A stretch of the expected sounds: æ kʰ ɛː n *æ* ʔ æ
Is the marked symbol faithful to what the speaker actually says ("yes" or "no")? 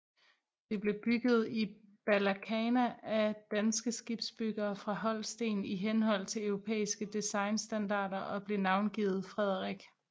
yes